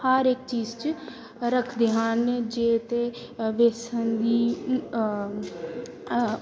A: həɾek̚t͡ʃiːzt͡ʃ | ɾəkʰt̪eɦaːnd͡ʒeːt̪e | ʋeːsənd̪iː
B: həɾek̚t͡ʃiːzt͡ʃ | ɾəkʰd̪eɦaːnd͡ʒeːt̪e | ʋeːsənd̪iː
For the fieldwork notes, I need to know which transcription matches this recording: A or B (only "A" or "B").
B